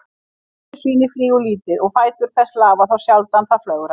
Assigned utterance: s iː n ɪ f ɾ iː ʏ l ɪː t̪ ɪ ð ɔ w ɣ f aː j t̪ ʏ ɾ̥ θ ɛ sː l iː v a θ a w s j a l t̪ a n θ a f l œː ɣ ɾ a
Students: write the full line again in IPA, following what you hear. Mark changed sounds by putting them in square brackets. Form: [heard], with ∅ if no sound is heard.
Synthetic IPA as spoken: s iː n ɪ f ɾ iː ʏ l [iː] t̪ ɪ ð ɔ [∅] ɣ f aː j t̪ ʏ ɾ̥ θ ɛ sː l [aː] v a θ a w s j a l t̪ a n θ a f l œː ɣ ɾ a